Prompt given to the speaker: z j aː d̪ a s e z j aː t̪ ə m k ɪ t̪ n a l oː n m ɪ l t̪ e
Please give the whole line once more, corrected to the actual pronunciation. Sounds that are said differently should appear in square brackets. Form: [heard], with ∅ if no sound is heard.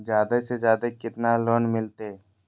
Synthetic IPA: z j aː d̪ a s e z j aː [d̪] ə [∅] k ɪ t̪ n a l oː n m ɪ l t̪ e